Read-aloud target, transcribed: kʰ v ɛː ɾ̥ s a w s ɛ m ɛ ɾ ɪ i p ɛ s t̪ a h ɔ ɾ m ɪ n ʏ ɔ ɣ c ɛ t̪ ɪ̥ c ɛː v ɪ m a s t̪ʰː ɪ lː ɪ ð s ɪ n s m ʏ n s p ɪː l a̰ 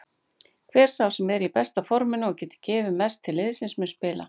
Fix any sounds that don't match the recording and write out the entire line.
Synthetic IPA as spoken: kʰ v ɛː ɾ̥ s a w s ɛ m ɛ ɾ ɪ i p ɛ s t̪ a f ɔ ɾ m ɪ n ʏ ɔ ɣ c ɛː t̪ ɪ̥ c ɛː v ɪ m ɛ s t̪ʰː ɪ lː ɪ ð s ɪ n s m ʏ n s p ɪː l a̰

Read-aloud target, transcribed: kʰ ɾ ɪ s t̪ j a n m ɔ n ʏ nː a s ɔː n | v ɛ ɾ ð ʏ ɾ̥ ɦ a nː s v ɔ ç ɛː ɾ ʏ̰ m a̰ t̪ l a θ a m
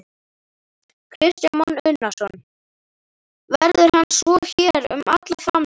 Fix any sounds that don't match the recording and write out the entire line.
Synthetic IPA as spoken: kʰ ɾ ɪ s t̪ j a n m ɔ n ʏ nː a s ɔ n | v ɛ ɾ ð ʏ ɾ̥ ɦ a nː s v ɔ ç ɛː ɾ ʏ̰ m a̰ t̪ l a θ a m

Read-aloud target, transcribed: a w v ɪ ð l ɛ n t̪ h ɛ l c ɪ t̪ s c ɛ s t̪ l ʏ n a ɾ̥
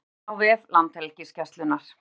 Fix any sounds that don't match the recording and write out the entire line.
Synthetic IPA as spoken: a w v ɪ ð l a n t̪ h ɛ l c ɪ s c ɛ s t̪ l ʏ n a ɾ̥

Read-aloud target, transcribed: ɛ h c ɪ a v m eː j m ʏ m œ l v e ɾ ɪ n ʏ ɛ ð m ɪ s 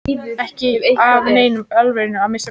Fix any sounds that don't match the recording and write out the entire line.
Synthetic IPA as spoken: ɛ h c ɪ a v n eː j n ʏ m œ l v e ɾ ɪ n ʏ a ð m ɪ s

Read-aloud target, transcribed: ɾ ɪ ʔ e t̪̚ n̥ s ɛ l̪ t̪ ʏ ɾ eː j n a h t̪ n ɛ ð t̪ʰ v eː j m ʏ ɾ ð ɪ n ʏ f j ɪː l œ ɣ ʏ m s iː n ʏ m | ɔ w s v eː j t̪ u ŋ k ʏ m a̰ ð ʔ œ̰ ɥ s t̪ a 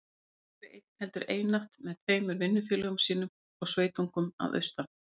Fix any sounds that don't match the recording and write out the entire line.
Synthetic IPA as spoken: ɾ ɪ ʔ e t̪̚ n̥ h ɛ l̪ t̪ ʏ ɾ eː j n a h t̪ m ɛ ð t̪ʰ v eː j m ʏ ɾ v ɪ nː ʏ f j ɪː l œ ɣ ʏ m s iː n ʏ m | ɔ ɣ s v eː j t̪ u ŋ k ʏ m a̰ ð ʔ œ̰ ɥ s t̪ a

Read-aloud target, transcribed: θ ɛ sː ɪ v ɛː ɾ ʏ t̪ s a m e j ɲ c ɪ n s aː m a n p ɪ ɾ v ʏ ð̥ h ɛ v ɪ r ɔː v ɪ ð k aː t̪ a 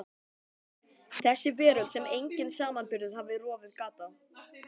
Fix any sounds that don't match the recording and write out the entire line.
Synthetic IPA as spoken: θ ɛ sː ɪ v ɛː ɾ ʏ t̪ s ɛ m e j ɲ c ɪ n s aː m a n p ɪ ɾ ð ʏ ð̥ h a v ɪ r ɔː v ɪ ð k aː t̪ a

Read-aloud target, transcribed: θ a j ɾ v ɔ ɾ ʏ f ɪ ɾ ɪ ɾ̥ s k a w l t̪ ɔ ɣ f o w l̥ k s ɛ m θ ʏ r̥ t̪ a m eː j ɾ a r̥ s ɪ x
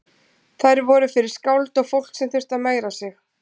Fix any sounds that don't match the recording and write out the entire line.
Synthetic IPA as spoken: θ a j ɾ v ɔ ɾ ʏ f ɪ ɾ ɪ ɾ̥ s k a w l t̪ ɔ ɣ f o w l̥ k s ɛ m θ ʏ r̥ t̪ a m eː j ɾ a s ɪ x

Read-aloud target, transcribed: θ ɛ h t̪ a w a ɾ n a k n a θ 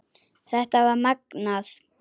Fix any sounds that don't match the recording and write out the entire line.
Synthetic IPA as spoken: θ ɛ h t̪ a v a ɾ m a k n a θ

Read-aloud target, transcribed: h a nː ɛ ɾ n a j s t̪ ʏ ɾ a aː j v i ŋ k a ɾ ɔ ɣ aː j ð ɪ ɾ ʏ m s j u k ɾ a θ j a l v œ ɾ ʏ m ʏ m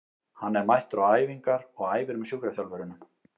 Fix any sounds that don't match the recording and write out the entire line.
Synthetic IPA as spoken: h a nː ɛ ɾ m a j h t̪ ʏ ɾ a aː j v i ŋ k a ɾ ɔ ɣ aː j v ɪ ɾ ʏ m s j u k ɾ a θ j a l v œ ɾ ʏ n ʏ m

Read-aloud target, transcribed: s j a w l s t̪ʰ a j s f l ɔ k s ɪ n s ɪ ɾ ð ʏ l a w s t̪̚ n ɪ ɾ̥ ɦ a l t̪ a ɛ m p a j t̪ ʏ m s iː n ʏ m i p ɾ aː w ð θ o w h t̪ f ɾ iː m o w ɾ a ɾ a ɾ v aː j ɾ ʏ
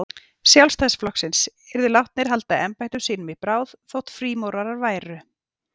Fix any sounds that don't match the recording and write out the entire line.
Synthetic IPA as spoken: s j a w l s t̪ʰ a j s f l ɔ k s ɪ n s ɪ ɾ ð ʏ l a w h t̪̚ n ɪ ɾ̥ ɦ a l t̪ a ɛ m p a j t̪ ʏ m s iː n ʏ m i p ɾ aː w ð θ o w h t̪ f ɾ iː m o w ɾ a ɾ a ɾ v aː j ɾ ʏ

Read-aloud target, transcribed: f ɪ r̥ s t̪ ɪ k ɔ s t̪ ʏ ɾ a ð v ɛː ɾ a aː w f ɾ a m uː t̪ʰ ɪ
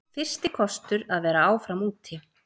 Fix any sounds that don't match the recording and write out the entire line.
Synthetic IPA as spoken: f ɪ r̥ s t̪ ɪ kʰ ɔ s t̪ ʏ ɾ a ð v ɛː ɾ a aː w f ɾ a m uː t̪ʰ ɪ

